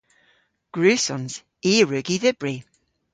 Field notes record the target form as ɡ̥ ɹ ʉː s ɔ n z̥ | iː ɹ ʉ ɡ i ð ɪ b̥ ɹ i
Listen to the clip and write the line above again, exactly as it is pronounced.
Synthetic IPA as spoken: ɡ̥ ɹ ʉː s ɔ n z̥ | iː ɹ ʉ ɡ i ð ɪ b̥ ɹ i